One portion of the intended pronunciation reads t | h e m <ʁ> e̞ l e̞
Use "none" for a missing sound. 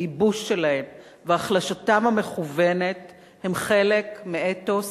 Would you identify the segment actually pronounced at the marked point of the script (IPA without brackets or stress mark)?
χ